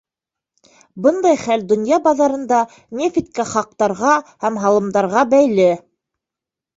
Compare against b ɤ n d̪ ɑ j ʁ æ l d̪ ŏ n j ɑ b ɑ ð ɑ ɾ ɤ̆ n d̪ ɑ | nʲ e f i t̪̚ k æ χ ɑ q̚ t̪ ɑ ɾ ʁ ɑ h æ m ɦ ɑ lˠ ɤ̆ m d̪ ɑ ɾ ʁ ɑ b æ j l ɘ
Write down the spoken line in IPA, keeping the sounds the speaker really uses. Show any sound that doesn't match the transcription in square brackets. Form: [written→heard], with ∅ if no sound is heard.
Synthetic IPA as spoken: b ɤ n d̪ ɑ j [ʁ→χ] æ l d̪ ŏ n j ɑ b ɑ ð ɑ ɾ ɤ̆ n d̪ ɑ | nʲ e f i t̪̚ k æ χ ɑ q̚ t̪ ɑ ɾ ʁ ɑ h æ m ɦ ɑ lˠ ɤ̆ m d̪ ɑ ɾ ʁ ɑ b æ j l ɘ

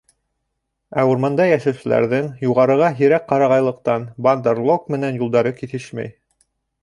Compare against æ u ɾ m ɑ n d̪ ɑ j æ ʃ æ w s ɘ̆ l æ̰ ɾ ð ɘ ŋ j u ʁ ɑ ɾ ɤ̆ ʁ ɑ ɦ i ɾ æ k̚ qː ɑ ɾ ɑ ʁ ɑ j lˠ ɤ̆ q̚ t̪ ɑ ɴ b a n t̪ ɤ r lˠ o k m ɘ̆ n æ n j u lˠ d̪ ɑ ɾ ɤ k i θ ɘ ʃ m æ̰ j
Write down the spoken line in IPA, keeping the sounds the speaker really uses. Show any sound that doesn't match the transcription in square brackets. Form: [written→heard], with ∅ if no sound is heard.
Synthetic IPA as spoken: æ u ɾ m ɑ n d̪ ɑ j æ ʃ æ w s ɘ̆ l æ̰ ɾ ð ɘ ŋ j u ʁ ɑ ɾ ɤ̆ ʁ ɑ ɦ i ɾ æ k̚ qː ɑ ɾ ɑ ʁ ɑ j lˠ ɤ̆ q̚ t̪ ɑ [ɴ→n] b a n [t̪→d̪] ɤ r lˠ o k m ɘ̆ n æ n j u lˠ d̪ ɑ ɾ ɤ k i θ ɘ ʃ m æ̰ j

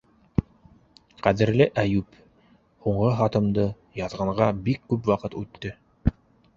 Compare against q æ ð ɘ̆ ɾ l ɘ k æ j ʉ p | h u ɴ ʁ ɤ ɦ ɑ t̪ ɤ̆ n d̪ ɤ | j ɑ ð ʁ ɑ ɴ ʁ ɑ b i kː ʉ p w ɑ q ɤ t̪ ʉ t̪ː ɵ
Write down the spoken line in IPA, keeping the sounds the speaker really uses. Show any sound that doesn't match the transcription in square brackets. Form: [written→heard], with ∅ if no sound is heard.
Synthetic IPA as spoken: q æ ð ɘ̆ ɾ l ɘ [k→ʔ] æ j ʉ p | h u ɴ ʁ ɤ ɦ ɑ t̪ ɤ̆ [n→m] d̪ ɤ | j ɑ ð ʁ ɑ ɴ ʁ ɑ b i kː ʉ p w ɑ q ɤ t̪ ʉ t̪ː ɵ

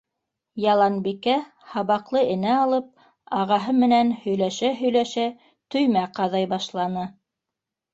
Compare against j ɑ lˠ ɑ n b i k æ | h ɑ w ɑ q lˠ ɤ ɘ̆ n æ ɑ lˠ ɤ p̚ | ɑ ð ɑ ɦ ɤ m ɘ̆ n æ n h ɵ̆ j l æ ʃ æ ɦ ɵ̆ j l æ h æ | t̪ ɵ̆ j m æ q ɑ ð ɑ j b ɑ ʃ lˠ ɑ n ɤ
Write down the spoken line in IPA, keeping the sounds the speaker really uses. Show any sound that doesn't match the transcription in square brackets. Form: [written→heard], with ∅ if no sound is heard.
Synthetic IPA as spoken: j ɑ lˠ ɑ n b i k æ | h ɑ [w→β] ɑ q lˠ ɤ ɘ̆ n æ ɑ lˠ ɤ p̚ | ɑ [ð→ʁ] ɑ ɦ ɤ m ɘ̆ n æ n h ɵ̆ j l æ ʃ æ ɦ ɵ̆ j l æ [h→ʃ] æ | t̪ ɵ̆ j m æ q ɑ ð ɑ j b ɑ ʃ lˠ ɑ n ɤ

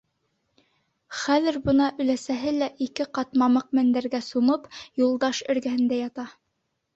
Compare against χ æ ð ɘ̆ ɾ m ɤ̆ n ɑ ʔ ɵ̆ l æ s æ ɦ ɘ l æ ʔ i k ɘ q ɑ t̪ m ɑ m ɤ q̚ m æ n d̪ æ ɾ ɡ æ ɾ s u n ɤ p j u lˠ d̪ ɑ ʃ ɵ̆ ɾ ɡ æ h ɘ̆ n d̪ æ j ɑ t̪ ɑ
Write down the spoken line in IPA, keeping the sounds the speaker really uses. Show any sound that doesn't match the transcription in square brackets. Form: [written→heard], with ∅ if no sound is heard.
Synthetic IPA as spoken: χ æ ð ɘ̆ ɾ [m→b] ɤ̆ n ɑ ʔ ɵ̆ l æ s æ ɦ ɘ l æ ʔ i k ɘ q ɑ t̪ m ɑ m ɤ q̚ m æ n d̪ æ ɾ ɡ æ [ɾ→∅] s u [n→m] ɤ p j u lˠ d̪ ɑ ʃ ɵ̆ ɾ ɡ æ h ɘ̆ n d̪ æ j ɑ t̪ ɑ

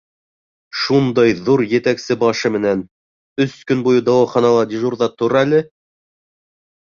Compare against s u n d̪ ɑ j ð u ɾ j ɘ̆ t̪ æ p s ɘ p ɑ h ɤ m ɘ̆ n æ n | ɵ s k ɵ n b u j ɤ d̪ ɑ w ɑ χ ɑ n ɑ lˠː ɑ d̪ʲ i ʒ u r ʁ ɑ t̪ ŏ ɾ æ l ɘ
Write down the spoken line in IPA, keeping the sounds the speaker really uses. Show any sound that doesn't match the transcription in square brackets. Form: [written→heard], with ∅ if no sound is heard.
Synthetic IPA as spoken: [s→ʃ] u n d̪ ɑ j ð u ɾ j ɘ̆ t̪ æ [p→k] s ɘ [p→b] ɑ [h→ʃ] ɤ m ɘ̆ n æ n | ɵ s k ɵ n b u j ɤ d̪ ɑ w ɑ χ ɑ n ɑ [lˠː→lˠ] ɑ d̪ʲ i ʒ u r [ʁ→ð] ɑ t̪ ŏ ɾ æ l ɘ

